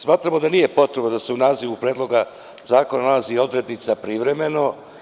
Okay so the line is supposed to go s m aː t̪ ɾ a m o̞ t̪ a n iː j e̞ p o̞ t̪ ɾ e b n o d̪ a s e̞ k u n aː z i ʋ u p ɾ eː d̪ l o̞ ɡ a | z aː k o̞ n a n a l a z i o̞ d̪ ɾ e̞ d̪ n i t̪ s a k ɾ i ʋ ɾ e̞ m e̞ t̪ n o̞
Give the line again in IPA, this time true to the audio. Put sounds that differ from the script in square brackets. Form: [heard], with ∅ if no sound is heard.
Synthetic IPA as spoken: s m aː t̪ ɾ a m o̞ [d̪] a n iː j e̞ p o̞ t̪ ɾ e b n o d̪ a s e̞ [∅] u n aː z i ʋ u p ɾ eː d̪ l o̞ ɡ a | z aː k o̞ n a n a l a z i o̞ d̪ ɾ e̞ d̪ n i t̪ s a [p] ɾ i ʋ ɾ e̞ m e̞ [∅] n o̞